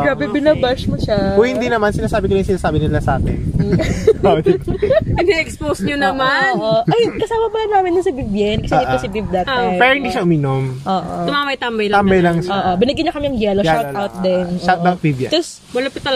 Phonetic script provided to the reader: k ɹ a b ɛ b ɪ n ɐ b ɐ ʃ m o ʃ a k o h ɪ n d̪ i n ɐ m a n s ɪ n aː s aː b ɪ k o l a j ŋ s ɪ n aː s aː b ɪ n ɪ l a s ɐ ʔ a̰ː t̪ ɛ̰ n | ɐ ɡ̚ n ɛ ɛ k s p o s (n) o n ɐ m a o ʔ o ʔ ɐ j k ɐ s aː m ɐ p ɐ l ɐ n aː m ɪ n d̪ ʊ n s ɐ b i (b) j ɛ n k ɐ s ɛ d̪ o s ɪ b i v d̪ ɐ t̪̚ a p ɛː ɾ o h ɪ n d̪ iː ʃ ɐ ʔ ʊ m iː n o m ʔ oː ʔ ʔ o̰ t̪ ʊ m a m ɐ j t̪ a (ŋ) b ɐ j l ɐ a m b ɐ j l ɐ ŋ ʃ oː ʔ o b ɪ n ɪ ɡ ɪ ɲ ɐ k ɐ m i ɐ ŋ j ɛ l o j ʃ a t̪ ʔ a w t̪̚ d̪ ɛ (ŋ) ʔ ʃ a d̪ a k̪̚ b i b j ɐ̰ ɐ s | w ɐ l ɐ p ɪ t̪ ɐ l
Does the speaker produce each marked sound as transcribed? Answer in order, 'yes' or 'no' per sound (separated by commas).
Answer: no, yes, no, no